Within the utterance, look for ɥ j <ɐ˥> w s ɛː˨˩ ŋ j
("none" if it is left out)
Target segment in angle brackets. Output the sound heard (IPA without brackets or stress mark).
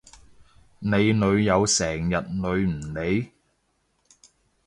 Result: ɐ˨˧